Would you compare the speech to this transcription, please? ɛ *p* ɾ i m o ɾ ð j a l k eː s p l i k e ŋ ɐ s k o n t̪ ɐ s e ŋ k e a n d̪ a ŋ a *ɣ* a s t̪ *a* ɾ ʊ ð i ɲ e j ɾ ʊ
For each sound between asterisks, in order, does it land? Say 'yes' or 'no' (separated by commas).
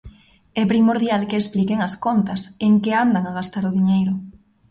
yes, yes, yes